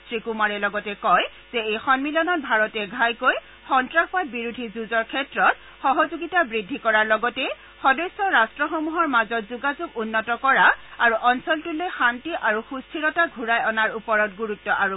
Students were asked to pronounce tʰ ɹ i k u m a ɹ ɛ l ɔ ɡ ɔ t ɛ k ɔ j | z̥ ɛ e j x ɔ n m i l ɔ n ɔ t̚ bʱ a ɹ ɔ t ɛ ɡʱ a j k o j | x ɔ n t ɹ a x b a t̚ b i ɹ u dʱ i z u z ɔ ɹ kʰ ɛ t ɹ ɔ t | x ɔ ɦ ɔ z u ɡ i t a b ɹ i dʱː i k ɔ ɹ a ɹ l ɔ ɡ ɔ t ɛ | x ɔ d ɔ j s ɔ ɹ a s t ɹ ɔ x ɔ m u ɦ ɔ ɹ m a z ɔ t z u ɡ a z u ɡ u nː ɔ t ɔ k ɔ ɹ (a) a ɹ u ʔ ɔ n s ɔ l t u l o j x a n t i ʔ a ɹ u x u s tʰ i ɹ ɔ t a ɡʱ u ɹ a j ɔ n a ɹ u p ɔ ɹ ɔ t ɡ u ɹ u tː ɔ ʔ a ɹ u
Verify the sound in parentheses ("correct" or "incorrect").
correct